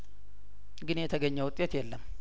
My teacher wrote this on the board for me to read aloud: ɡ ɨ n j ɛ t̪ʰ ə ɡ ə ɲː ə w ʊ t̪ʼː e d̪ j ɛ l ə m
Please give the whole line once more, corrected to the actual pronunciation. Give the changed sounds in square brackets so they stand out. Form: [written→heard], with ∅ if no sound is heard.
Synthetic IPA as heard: ɡ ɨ n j ɛ t̪ʰ ə ɡ ə ɲː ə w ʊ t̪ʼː e [d̪→t̪] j ɛ [l→lː] ə m